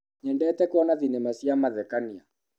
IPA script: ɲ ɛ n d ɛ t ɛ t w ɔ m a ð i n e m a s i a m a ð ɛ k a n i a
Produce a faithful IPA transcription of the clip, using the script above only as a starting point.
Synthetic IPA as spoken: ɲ ɛ n d ɛ t ɛ k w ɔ n a ð i n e m a s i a m a ð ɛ k a n i a